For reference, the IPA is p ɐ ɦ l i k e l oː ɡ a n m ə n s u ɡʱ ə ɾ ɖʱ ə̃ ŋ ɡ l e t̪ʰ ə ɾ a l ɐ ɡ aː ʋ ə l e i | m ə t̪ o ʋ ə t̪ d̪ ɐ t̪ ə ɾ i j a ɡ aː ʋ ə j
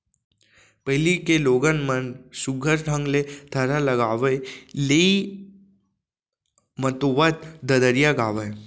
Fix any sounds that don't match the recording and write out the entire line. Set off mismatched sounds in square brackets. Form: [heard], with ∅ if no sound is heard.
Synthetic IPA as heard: p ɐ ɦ l i k e l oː ɡ [ə] n m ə n s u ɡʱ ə ɾ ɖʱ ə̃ ŋ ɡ l e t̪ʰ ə ɾ a l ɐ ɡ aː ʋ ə l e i | m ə t̪ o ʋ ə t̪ d̪ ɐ [d̪] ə ɾ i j a ɡ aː ʋ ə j